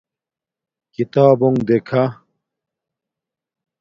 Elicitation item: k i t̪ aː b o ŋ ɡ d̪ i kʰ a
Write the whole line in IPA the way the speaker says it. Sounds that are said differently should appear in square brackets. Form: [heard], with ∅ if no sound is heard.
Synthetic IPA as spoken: k i t̪ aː b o ŋ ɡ d̪ [e] kʰ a